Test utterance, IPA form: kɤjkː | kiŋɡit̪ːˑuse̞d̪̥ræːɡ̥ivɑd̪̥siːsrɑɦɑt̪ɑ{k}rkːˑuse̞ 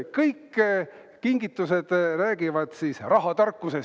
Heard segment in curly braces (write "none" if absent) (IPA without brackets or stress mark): none